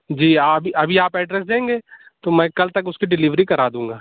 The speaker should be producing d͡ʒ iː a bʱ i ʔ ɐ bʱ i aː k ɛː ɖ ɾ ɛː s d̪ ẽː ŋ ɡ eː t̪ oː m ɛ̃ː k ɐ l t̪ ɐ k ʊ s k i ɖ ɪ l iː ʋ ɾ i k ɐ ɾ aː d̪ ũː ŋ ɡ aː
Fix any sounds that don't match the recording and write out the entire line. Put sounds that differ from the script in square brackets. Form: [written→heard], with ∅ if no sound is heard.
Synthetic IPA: d͡ʒ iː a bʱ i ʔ ɐ bʱ i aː [k→p] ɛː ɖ ɾ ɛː s d̪ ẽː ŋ ɡ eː t̪ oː m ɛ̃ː k ɐ l t̪ ɐ k ʊ s k i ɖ ɪ l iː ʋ ɾ i k ɐ ɾ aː d̪ ũː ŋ ɡ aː